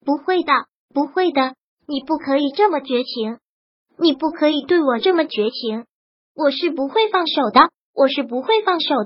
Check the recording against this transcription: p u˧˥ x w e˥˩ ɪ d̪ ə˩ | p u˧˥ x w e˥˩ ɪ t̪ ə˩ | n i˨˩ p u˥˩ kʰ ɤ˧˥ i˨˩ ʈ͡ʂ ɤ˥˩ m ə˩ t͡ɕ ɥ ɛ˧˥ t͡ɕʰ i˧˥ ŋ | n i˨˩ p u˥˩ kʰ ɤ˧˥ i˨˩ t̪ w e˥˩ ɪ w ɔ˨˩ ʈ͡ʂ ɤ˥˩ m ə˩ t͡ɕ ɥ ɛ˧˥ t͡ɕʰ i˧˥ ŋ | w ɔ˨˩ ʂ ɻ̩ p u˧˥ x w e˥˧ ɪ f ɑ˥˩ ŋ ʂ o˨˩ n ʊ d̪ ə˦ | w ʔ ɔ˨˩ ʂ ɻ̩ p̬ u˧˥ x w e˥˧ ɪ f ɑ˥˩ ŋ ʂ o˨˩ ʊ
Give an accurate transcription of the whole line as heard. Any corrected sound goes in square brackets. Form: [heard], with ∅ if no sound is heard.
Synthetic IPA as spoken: p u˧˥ x w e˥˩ ɪ d̪ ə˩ | p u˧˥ x w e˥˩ ɪ [d̪] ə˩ | n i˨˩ p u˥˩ kʰ ɤ˧˥ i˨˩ ʈ͡ʂ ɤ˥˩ m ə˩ t͡ɕ ɥ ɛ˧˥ t͡ɕʰ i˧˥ ŋ | n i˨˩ p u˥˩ kʰ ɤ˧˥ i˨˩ t̪ w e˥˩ ɪ w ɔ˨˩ ʈ͡ʂ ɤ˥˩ m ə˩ t͡ɕ ɥ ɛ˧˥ t͡ɕʰ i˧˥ ŋ | w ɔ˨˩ ʂ ɻ̩ p u˧˥ x w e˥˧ ɪ f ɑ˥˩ ŋ ʂ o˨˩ [∅] ʊ d̪ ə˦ | w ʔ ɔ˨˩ ʂ ɻ̩ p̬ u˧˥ x w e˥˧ ɪ f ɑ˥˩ ŋ ʂ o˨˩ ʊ